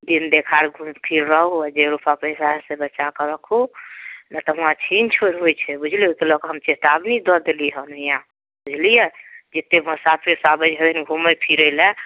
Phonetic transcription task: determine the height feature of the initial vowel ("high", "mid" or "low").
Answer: high